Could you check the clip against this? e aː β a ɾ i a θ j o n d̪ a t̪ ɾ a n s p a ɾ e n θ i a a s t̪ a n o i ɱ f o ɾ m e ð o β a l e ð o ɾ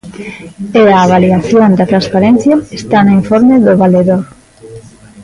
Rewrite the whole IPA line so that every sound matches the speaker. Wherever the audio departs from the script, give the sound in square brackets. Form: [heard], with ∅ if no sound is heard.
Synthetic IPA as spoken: e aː β a [l] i a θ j o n d̪ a t̪ ɾ a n s p a ɾ e n θ [j] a [e] s t̪ a n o i ɱ f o ɾ m e ð o β a l e ð o ɾ